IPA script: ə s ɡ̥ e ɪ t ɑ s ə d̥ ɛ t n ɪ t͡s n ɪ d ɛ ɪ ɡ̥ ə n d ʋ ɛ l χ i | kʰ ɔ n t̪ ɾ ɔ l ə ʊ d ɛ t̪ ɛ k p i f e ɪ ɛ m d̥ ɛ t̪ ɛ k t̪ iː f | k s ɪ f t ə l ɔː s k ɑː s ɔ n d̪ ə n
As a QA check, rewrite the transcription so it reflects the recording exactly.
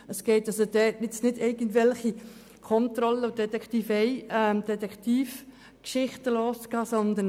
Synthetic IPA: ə s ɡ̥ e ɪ t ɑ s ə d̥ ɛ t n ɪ t͡s n ɪ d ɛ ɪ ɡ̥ ə n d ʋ ɛ l χ i | kʰ ɔ n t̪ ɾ ɔ l ə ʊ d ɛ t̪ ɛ k t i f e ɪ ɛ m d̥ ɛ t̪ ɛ k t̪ iː f | k ʃ ɪ χ t ə l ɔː s k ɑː s ɔ n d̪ ə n